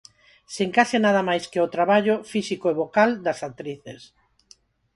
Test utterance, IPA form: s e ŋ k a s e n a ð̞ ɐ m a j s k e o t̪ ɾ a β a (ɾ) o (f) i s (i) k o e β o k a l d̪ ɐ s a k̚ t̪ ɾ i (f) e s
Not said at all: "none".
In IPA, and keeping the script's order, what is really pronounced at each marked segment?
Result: ʎ, f, i, θ

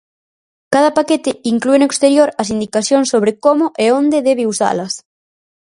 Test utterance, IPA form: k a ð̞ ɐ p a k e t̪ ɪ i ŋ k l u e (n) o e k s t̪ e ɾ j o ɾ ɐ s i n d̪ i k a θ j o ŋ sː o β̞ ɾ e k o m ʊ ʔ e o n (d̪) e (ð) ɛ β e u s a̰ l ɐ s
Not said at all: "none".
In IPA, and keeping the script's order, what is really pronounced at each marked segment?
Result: n, d̪, ð

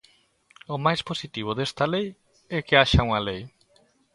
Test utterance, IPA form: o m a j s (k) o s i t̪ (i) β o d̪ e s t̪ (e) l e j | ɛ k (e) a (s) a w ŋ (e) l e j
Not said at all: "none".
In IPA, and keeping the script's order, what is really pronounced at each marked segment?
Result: p, i, a, e, ʃ, a

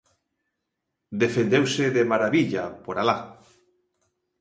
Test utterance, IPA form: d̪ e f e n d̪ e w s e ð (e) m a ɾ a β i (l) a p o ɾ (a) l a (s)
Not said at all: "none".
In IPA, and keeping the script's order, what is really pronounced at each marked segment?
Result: e, ʎ, a, none

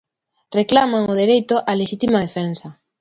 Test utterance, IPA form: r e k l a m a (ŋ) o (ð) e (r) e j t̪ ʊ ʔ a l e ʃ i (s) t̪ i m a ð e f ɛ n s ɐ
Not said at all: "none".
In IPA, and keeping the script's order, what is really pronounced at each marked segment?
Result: ŋ, ð, ɾ, none

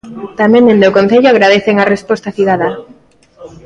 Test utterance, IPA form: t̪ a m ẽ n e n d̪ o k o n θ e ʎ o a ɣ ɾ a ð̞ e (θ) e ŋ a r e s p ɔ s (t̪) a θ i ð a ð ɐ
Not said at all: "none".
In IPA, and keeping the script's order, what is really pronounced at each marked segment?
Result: θ, t̪

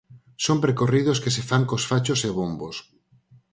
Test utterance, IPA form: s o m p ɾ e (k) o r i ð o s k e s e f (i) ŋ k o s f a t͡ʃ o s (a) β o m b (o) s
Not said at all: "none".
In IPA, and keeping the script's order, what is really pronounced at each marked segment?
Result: k, a, e, o

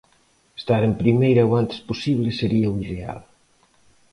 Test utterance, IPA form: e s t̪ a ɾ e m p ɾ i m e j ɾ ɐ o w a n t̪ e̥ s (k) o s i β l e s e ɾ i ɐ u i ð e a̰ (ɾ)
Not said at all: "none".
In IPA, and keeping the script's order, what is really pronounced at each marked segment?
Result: p, l

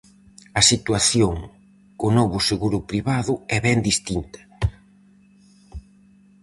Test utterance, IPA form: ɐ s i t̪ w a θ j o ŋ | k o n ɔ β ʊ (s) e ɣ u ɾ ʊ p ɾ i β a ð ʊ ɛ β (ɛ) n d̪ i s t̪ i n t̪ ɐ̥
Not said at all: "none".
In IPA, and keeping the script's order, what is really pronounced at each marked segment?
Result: s, ɛ

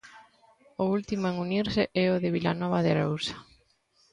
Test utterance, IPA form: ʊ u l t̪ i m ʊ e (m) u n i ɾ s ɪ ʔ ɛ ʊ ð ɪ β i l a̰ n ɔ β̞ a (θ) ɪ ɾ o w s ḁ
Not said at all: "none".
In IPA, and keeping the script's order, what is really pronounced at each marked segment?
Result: ŋ, ð

